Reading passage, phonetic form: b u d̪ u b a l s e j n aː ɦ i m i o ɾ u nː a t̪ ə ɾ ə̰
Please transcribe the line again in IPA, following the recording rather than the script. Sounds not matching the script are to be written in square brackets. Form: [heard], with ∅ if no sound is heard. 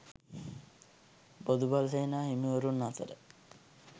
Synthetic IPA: b [o] d̪ u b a l s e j n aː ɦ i m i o ɾ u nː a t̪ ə ɾ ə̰

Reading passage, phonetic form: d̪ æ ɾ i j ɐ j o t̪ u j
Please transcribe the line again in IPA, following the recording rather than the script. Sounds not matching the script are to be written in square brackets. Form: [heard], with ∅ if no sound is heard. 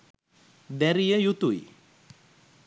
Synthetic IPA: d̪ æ ɾ i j [ə] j [u] t̪ u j

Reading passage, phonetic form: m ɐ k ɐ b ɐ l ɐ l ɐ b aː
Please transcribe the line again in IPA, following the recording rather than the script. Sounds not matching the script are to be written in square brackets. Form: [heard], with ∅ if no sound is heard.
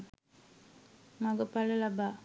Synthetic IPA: m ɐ [ɡ] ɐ [p] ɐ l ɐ l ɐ b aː

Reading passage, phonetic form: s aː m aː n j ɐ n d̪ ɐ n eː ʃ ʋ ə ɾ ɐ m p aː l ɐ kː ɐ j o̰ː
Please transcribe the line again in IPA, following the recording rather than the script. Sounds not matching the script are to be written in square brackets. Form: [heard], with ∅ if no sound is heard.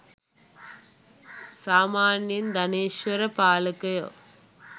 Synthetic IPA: s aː m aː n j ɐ n d̪ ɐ n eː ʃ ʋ [ɐ] ɾ ɐ [∅] p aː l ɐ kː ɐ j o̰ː

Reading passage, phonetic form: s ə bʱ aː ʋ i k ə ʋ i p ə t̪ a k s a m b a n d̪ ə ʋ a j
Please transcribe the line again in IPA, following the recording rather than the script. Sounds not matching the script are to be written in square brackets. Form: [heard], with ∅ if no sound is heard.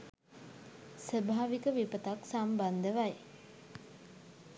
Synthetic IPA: s ə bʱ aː ʋ i k ə ʋ i p ə t̪ a k s a m b a n d̪ ə ʋ a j

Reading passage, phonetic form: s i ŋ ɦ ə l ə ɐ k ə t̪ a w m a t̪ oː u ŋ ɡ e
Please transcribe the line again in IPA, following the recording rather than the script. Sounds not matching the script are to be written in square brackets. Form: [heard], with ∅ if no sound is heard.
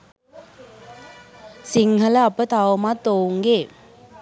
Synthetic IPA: s i ŋ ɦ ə l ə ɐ [p] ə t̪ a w m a t̪ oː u ŋ ɡ e

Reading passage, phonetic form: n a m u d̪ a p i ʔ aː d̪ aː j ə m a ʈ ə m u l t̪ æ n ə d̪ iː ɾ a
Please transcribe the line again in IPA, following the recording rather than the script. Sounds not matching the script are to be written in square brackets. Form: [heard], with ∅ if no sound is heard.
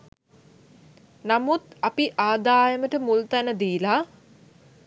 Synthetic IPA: n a m u [t̪] a p i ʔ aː d̪ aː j ə m [ə] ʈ ə m u l t̪ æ n ə d̪ iː [l] a

